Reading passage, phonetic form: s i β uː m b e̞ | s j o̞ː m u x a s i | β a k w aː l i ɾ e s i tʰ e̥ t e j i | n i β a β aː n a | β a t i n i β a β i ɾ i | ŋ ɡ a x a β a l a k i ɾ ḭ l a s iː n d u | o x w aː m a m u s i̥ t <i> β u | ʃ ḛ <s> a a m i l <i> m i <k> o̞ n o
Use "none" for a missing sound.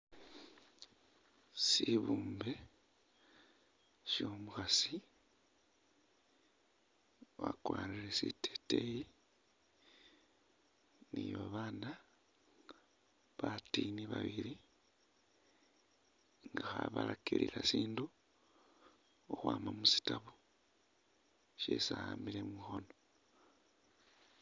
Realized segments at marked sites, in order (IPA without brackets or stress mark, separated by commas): a, s, e, x